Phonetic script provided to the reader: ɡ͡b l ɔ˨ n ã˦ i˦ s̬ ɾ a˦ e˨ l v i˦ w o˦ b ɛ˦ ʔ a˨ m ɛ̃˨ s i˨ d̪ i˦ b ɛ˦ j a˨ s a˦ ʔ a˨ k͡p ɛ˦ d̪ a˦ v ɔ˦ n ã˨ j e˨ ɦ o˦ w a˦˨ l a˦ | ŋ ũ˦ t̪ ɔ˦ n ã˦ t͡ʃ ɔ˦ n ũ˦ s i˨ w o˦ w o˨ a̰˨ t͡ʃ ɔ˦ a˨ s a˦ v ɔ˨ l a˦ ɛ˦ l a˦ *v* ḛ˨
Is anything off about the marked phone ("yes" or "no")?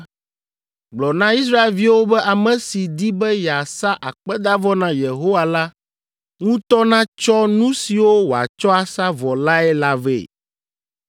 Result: no